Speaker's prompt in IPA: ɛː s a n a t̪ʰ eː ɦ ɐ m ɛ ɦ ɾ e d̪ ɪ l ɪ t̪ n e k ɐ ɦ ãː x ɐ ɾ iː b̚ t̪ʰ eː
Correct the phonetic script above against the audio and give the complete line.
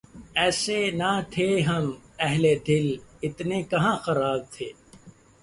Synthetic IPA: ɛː s e n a t̪ʰ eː ɦ ɐ m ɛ ɦ l e d̪ ɪ l ɪ t̪ n e k ɐ ɦ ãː x ɐ ɾ aː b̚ t̪ʰ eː